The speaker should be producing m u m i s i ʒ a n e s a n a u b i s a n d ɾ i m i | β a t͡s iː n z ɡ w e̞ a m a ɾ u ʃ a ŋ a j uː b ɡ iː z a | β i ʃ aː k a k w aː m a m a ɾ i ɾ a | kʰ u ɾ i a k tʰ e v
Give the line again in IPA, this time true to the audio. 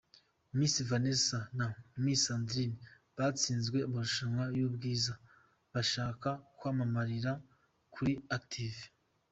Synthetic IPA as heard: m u m i s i v a n e s a n a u m i s a n d ɾ i n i | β a t͡s iː n z ɡ w e̞ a m a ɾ u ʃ a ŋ a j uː b ɡ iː z a | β a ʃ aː k a k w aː m a m a ɾ i ɾ a | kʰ u ɾ i a k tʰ i v